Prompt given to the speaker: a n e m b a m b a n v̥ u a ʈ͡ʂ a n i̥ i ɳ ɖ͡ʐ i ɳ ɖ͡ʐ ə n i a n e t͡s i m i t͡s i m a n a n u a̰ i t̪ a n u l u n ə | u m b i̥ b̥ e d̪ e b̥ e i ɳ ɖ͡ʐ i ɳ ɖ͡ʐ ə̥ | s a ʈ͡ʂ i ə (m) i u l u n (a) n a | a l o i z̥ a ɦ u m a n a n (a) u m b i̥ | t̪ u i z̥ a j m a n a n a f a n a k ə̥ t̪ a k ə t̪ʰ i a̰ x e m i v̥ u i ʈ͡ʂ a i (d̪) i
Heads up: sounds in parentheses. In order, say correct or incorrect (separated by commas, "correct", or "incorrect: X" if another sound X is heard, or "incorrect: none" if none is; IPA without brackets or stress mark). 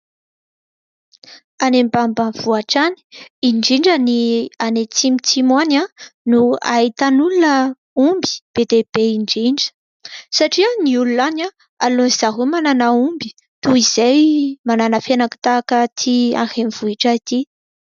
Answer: incorrect: n, correct, correct, incorrect: t̪